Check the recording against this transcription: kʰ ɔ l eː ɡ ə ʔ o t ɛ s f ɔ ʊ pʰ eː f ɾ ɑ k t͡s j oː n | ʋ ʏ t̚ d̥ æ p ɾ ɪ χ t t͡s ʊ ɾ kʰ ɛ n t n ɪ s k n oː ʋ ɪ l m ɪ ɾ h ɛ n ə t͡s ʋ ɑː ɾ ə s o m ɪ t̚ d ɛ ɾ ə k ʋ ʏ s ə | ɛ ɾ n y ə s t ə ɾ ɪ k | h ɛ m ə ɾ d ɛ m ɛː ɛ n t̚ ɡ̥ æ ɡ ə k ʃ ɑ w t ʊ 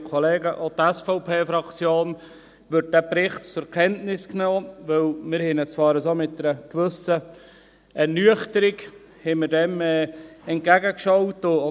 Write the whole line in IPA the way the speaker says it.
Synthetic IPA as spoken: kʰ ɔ l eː ɡ ə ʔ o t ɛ s f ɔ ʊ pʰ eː f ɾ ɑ k t͡s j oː n | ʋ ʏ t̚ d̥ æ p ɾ ɪ χ t t͡s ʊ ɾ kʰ ɛ n t n ɪ s k n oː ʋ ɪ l m ɪ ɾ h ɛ n ə t͡s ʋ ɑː ɾ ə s o m ɪ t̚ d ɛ ɾ ə k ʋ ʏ s ə | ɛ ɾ n y ə χ t ə ɾ ɪ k | h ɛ m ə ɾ d ɛ m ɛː ɛ n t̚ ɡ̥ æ ɡ ə k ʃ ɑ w t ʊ